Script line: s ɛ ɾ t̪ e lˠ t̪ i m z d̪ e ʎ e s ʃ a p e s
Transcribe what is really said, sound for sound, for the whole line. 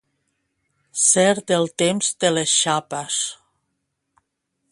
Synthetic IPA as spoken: s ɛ ɾ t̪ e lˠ t̪ e m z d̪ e l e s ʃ a p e s